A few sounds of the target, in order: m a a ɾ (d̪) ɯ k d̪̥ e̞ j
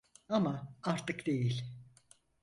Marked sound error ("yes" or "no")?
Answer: yes